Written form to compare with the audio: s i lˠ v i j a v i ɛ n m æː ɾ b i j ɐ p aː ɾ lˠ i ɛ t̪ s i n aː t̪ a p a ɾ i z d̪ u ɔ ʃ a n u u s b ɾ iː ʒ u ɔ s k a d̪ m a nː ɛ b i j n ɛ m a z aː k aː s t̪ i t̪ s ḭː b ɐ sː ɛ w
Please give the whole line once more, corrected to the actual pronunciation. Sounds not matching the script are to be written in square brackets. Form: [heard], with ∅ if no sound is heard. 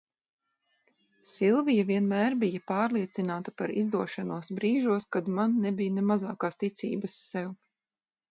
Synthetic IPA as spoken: s i lˠ v i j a v i ɛ n m æː ɾ b i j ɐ p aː ɾ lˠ i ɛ t̪ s i n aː t̪ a p a ɾ i z d̪ u ɔ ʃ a n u [ɔ] s b ɾ iː ʒ u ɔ s k a d̪ m a nː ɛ b i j n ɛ m a z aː k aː s t̪ i t̪ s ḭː b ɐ sː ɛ w